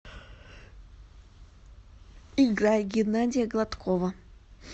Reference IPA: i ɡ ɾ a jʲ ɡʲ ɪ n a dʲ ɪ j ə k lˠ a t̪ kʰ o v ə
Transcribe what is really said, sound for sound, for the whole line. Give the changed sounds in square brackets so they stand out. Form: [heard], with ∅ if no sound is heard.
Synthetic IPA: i ɡ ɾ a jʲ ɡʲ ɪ n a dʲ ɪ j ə [ɡ] lˠ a t̪ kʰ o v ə